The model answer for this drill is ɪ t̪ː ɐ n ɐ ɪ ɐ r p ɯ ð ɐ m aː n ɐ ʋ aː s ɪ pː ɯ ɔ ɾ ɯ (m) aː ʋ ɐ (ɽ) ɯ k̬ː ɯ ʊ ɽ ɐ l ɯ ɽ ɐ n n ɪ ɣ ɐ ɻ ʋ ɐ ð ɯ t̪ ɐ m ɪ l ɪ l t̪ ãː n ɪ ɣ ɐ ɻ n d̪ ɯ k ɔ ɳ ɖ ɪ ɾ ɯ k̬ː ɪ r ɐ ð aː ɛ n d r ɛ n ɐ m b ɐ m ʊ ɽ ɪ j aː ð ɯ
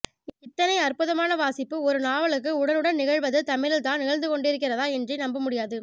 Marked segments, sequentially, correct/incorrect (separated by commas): incorrect, incorrect